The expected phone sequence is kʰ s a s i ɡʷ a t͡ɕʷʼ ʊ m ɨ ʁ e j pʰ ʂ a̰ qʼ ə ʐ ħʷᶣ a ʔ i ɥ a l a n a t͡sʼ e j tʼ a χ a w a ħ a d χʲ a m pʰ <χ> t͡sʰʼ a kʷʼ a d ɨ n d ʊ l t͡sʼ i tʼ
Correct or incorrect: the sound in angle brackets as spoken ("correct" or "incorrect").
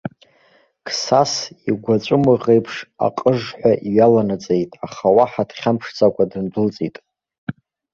incorrect